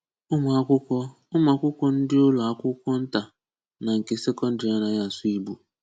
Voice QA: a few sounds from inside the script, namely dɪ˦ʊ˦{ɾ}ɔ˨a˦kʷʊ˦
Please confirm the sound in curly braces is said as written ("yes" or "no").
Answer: no